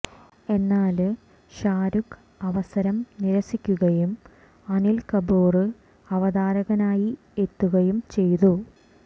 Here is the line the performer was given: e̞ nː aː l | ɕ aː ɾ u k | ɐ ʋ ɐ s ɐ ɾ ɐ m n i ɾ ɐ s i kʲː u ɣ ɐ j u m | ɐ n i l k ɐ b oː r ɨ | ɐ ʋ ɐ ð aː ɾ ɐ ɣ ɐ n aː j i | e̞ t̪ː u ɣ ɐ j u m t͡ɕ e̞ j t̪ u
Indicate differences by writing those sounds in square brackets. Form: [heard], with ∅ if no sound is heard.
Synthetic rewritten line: e̞ nː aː l | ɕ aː ɾ u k | ɐ ʋ ɐ s ɐ ɾ ɐ m n i ɾ ɐ s i kʲː u ɣ ɐ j u m | ɐ n i l k ɐ b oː r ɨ | ɐ ʋ ɐ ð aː ɾ ɐ ɣ ɐ n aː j i | e̞ t̪ː u ɣ ɐ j u m t͡ɕ e̞ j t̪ u